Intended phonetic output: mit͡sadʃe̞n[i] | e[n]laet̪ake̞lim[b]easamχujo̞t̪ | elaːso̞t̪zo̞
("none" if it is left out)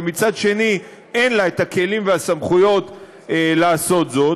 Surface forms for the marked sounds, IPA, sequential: i, n, v

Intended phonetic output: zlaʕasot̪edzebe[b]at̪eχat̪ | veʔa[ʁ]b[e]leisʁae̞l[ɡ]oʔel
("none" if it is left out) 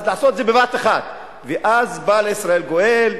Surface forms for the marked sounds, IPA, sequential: v, z, a, ɡ

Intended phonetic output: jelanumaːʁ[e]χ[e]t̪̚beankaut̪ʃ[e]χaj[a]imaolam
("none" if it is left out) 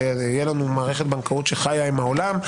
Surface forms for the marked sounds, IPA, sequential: e, e, e, a

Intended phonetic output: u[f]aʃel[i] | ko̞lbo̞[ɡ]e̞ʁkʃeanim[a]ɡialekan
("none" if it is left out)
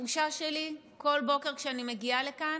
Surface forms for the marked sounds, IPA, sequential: ʃ, i, k, e

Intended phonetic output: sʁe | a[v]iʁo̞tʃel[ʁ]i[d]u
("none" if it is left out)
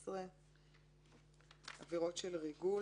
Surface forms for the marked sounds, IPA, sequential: v, ʁ, ɡ

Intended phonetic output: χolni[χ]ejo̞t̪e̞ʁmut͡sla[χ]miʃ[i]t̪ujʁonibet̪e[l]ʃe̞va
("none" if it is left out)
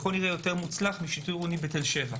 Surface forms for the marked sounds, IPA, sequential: ʁ, χ, i, l

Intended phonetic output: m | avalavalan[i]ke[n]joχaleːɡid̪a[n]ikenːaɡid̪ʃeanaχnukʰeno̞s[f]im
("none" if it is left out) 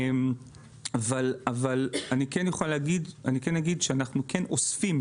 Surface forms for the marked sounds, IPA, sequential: i, n, n, f

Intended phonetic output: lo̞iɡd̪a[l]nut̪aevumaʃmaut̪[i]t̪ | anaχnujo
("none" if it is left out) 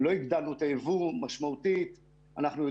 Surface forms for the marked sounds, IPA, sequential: l, i

